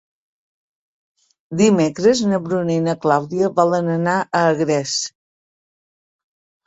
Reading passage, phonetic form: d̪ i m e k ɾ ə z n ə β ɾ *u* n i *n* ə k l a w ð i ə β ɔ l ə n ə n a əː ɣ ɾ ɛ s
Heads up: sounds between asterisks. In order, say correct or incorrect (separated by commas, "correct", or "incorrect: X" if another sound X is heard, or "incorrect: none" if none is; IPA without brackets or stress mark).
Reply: correct, correct